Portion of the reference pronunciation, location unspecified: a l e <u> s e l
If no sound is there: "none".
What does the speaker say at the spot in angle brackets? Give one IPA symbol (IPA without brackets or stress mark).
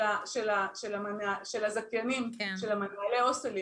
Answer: o